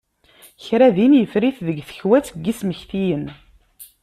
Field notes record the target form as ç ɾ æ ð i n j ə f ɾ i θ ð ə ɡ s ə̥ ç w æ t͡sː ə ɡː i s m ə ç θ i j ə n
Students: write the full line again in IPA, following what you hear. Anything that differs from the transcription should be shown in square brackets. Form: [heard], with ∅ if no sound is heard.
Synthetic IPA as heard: ç ɾ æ ð i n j ə f ɾ i θ ð ə ɡ [θ] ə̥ ç w æ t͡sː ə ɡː i s m ə ç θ i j ə n